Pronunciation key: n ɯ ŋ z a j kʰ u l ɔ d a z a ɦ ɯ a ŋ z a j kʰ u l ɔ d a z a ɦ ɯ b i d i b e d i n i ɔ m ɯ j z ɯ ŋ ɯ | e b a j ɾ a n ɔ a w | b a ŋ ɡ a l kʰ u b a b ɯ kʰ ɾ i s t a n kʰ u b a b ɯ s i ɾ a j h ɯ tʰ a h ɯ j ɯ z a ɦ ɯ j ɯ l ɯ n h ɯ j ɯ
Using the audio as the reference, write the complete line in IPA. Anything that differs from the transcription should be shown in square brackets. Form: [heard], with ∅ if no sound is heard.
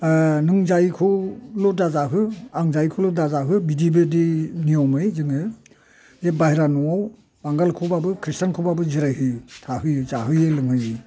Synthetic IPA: n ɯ ŋ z a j kʰ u l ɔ d a z a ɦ ɯ a ŋ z a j kʰ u l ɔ d a z a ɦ ɯ b i d i b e d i n i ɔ m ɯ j z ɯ ŋ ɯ | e b a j ɾ a n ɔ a w | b a ŋ ɡ a l kʰ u b a b ɯ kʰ ɾ i s t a n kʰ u b a b ɯ [z] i ɾ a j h ɯ tʰ a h ɯ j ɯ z a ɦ ɯ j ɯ l ɯ [ŋ] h ɯ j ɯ